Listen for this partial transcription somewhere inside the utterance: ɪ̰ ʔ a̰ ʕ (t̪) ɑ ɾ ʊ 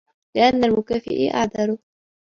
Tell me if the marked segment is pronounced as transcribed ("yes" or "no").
no